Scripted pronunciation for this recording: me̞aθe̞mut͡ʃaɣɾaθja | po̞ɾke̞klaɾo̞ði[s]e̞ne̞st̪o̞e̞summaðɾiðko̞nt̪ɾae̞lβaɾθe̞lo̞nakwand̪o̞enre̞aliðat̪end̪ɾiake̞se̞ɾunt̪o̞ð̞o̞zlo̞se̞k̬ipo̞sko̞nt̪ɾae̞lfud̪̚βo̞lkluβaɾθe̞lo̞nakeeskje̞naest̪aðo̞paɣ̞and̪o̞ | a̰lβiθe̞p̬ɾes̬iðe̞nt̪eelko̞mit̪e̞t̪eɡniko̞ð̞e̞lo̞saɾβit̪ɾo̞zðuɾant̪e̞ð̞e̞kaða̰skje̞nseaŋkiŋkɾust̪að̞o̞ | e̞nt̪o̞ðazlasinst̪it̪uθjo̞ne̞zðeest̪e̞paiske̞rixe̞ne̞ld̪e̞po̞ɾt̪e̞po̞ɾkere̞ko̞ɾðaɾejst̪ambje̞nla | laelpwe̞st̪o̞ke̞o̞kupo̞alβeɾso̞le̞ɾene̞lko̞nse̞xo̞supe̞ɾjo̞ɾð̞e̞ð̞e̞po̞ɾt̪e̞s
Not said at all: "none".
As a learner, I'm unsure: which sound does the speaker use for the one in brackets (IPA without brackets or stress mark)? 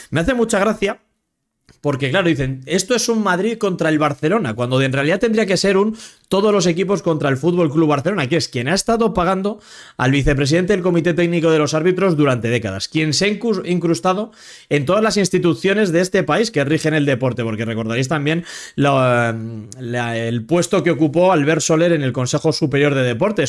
θ